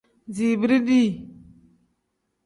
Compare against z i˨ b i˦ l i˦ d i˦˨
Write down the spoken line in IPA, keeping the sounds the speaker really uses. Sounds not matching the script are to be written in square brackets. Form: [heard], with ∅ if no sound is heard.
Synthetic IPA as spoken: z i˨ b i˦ [ɾ] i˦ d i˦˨